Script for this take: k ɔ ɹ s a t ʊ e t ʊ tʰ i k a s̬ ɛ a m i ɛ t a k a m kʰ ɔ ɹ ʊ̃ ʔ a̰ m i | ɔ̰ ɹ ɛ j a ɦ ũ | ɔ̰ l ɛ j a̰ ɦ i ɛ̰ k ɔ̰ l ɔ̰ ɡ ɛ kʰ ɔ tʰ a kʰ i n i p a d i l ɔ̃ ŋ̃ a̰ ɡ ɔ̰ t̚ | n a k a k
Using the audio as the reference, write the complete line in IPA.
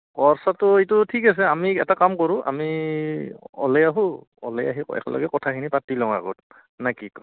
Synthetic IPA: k ɔ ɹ s a t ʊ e t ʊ tʰ i k a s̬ ɛ a m i ɛ t a k a m k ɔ ɹ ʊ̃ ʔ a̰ m i | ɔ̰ l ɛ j a ɦ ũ | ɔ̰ l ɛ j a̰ ɦ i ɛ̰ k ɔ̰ l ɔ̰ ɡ ɛ k ɔ tʰ a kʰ i n i p a t i l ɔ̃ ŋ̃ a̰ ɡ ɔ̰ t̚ | n a k i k

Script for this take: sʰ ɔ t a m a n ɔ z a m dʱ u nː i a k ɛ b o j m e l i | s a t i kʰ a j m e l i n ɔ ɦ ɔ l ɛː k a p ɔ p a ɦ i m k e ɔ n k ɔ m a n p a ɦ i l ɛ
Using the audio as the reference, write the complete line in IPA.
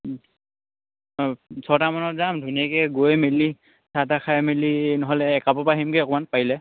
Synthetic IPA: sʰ ɔ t a m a n ɔ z a m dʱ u n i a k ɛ ɡ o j m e l i | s a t a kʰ a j m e l i n ɔ ɦ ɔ l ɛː k a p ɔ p a ɦ i m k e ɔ k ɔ m a n p a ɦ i l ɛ

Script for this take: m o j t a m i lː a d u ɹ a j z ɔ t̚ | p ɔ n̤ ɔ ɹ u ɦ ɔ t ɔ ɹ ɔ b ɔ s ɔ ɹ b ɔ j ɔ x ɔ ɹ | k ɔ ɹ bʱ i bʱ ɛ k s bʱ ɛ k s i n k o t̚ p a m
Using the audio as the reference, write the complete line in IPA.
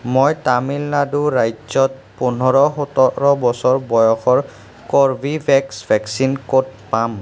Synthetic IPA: m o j t a m i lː a d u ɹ a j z ɔ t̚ | p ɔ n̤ ɔ ɹ ɔ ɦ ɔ t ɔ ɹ ɔ b ɔ s ɔ ɹ b ɔ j ɔ x ɔ ɹ | k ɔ ɹ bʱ i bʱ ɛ k s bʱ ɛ k s i n k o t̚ p a m

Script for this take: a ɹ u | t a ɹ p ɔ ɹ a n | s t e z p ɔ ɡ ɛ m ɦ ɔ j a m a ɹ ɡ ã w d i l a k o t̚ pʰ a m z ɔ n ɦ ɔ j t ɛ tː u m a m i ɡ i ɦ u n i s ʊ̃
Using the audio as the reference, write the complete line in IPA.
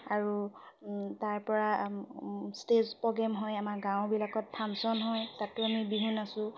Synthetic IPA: a ɹ u | t a ɹ p ɔ ɹ a | s t e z p ɔ ɡ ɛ m ɦ ɔ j a m a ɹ ɡ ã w b i l a k ɔ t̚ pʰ a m s ɔ n ɦ ɔ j t a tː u a m i b i ɦ u n a s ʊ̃

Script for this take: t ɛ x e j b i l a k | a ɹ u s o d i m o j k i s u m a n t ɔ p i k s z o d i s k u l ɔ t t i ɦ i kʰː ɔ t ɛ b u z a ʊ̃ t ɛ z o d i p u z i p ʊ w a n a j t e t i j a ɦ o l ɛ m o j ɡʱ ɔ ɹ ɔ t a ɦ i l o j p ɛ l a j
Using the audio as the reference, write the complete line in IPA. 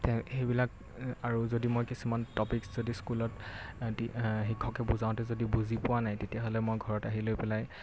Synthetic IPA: t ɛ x e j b i l a k | a ɹ u z o d i m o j k i s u m a n t ɔ p i k s z o d i s k u l ɔ t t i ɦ i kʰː ɔ k ɛ b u z a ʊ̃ t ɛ z o d i b u z i p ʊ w a n a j t e t i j a ɦ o l ɛ m o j ɡʱ ɔ ɹ ɔ t a ɦ i l o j p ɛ l a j

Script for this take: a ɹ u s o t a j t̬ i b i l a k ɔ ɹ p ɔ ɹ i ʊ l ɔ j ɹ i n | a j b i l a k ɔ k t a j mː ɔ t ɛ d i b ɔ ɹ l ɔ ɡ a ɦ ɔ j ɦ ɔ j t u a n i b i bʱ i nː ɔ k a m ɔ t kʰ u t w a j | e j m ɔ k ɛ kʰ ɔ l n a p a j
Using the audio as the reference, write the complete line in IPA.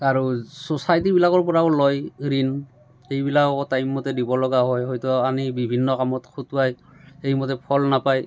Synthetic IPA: a ɹ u s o s a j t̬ i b i l a k ɔ ɹ p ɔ ɹ a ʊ l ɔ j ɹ i n | e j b i l a k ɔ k t a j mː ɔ t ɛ d i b ɔ l ɔ ɡ a ɦ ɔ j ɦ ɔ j t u a n i b i bʱ i nː ɔ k a m ɔ t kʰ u t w a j | e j m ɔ t ɛ pʰ ɔ l n a p a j

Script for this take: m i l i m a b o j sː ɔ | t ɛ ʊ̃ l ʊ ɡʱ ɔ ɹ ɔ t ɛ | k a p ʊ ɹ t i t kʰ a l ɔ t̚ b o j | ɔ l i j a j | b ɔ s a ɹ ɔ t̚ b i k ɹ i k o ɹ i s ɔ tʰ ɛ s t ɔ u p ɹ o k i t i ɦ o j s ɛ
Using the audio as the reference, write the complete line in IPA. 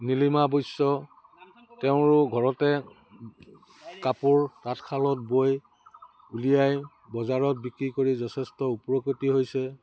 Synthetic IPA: n i l i m a b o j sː ɔ | t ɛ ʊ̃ ɹ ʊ ɡʱ ɔ ɹ ɔ t ɛ | k a p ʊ ɹ t a t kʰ a l ɔ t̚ b o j | u l i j a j | b ɔ z a ɹ ɔ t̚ b i k ɹ i k o ɹ i z ɔ tʰ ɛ s t ɔ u p ɹ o k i t i ɦ o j s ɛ

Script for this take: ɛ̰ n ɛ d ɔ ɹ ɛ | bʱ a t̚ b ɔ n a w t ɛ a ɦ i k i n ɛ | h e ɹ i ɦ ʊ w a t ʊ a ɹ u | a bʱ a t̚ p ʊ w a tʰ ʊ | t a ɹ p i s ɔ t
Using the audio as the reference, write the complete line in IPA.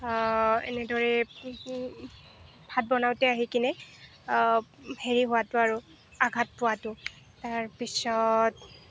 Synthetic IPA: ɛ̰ n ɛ d ɔ ɹ ɛ | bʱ a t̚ b ɔ n a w t ɛ a ɦ i k i n ɛ | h e ɹ i ɦ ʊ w a t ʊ a ɹ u | a ɡʱ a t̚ p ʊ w a t ʊ | t a ɹ p i s ɔ t

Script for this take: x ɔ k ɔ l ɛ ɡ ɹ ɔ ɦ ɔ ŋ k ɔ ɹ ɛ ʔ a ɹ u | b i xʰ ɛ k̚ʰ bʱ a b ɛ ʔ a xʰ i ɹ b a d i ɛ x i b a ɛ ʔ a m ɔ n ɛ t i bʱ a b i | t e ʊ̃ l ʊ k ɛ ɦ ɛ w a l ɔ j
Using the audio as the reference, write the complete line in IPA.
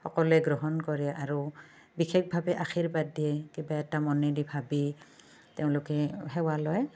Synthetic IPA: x ɔ k ɔ l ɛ ɡ ɹ ɔ ɦ ɔ n k ɔ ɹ ɛ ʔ a ɹ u | b i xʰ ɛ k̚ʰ bʱ a b ɛ ʔ a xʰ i ɹ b a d i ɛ k i b a ɛ t a m ɔ n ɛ d i bʱ a b i | t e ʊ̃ l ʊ k ɛ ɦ ɛ w a l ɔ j

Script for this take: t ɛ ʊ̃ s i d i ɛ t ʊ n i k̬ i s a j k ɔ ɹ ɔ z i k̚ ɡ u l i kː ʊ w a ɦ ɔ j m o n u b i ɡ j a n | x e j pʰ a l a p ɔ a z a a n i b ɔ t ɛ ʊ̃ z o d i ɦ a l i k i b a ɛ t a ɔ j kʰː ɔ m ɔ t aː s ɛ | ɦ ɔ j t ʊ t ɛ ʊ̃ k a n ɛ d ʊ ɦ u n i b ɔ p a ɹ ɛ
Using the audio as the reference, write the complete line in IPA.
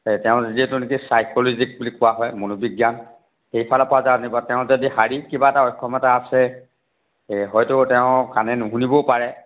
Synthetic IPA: t ɛ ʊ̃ z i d i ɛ t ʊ n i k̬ i s a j k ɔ l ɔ z i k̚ b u l i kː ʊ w a ɦ ɔ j m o n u b i ɡ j a n | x e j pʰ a l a p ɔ a z a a n i b ɔ t ɛ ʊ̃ z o d i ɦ a ɹ i k i b a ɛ t a ɔ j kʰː ɔ m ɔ t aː s ɛ | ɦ ɔ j t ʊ t ɛ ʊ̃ k a n ɛ n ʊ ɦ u n i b ɔ p a ɹ ɛ

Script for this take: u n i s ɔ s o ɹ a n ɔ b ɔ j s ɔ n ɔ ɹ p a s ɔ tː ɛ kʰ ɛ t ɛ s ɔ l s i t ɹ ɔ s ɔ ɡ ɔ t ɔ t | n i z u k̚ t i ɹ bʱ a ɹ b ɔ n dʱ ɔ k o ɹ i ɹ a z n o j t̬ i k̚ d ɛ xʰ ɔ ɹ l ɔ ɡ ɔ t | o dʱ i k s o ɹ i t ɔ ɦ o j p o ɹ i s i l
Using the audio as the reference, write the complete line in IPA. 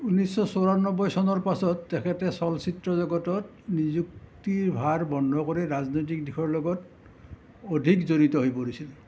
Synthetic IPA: u n i s ɔ s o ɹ a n ɔ b ɔ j s ɔ n ɔ ɹ p a s ɔ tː ɛ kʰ ɛ t ɛ s ɔ l s i t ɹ ɔ z ɔ ɡ ɔ t ɔ t | n i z u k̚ t i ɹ bʱ a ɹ b ɔ n dʱ ɔ k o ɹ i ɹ a z n o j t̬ i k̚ d i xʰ ɔ ɹ l ɔ ɡ ɔ t | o dʱ i k z o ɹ i t ɔ ɦ o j p o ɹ i s i l

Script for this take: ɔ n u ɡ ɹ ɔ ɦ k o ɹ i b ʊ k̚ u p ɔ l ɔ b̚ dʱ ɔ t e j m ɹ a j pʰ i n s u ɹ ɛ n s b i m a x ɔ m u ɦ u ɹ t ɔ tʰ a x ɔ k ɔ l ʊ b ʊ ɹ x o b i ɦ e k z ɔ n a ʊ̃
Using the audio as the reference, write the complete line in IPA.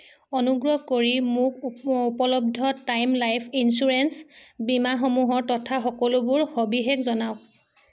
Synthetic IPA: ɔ n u ɡ ɹ ɔ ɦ k o ɹ i m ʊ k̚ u p ɔ l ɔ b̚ dʱ ɔ t a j m l a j pʰ i n s u ɹ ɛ n s b i m a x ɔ m u ɦ ɔ ɹ t ɔ tʰ a x ɔ k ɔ l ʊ b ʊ ɹ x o b i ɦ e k z ɔ n a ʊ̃

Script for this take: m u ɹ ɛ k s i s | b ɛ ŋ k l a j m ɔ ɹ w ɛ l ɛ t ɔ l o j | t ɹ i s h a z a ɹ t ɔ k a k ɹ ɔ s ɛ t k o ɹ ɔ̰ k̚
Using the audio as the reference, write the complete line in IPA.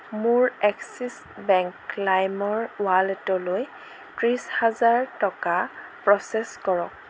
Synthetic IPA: m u ɹ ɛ k s i s | b ɛ ŋ k l a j m ɔ ɹ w a l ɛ t ɔ l o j | t ɹ i s h a z a ɹ t ɔ k a p ɹ ɔ s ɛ s k ɔ ɹ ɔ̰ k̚

